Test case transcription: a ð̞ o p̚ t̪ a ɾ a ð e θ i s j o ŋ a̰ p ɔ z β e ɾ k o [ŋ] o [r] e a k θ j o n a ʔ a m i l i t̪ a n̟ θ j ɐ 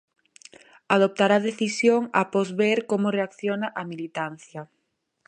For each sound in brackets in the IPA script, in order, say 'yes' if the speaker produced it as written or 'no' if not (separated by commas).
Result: no, yes